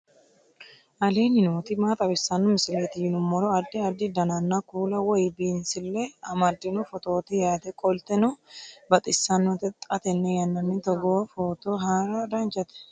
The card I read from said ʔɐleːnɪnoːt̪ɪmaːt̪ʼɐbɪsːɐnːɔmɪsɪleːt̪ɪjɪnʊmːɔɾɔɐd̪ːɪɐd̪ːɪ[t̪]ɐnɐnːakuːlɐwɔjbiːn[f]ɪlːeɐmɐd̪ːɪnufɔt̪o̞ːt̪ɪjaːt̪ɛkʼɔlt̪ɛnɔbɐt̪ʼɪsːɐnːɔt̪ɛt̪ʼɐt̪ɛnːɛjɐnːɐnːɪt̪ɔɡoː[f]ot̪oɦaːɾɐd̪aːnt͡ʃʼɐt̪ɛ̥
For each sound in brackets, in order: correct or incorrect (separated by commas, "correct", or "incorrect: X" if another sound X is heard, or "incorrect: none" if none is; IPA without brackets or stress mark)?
incorrect: d̪, incorrect: s, correct